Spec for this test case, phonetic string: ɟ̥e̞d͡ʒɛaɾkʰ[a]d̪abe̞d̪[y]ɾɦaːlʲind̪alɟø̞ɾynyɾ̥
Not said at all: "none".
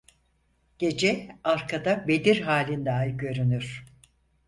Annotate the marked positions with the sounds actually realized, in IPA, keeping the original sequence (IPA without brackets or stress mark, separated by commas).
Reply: a, i